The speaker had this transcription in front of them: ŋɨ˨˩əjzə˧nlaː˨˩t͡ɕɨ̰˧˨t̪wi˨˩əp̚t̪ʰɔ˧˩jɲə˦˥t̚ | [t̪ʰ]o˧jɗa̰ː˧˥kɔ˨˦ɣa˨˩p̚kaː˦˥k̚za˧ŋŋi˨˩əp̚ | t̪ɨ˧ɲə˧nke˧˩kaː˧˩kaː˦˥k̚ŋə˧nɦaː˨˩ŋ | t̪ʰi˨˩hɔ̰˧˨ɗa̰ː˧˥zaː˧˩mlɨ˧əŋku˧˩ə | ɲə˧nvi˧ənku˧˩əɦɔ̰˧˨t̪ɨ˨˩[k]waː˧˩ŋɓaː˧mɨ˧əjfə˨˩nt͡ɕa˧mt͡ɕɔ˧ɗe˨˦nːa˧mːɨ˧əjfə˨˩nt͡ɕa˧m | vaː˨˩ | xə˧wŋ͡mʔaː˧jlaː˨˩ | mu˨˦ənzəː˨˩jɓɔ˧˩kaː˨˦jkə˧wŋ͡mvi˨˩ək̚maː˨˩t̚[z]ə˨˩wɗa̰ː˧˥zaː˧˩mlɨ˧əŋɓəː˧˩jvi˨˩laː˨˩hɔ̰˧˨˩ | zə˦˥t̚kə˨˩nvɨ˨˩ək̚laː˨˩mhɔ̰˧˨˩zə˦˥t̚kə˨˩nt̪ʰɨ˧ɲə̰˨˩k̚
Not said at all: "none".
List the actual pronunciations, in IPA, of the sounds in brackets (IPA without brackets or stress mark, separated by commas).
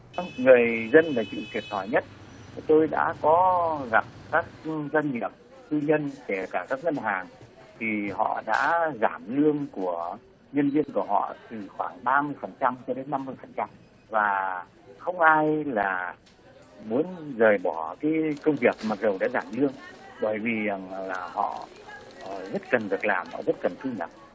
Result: t̪, x, z